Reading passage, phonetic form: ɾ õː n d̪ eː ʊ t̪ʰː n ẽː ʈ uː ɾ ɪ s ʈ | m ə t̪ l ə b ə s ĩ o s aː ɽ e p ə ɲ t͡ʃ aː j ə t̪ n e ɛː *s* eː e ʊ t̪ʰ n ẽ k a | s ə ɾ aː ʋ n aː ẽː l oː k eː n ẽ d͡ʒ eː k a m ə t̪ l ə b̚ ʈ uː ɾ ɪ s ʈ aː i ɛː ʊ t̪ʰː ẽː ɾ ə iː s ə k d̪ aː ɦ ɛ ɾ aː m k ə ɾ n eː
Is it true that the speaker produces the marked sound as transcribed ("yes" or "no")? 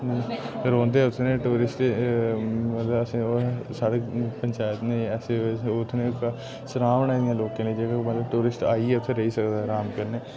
yes